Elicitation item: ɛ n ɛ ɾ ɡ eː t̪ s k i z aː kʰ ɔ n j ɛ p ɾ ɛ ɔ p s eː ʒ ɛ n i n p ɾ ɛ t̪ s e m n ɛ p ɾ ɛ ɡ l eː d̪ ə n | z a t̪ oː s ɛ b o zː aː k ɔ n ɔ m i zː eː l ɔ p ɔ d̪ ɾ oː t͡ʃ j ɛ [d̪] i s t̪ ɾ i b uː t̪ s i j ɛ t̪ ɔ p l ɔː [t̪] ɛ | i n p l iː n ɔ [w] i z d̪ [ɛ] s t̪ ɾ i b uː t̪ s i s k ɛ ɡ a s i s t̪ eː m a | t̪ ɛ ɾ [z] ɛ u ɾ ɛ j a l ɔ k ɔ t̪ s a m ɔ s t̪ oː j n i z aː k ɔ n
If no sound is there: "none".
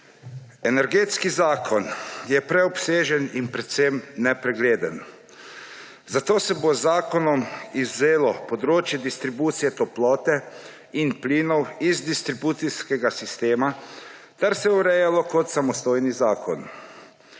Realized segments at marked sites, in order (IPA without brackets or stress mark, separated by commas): d̪, t̪, w, i, s